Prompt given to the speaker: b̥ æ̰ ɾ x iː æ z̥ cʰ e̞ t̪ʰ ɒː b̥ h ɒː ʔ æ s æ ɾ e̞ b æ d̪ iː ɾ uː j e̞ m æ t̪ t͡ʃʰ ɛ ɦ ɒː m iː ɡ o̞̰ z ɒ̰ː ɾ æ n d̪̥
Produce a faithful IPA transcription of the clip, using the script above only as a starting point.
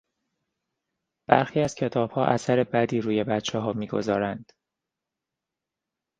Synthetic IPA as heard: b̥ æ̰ ɾ x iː æ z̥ cʰ e̞ t̪ʰ ɒː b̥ h ɒː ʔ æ s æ ɾ e̞ b æ d̪ iː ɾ uː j e̞ b æ t̪ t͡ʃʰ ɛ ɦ ɒː m iː ɡ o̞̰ z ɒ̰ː ɾ æ n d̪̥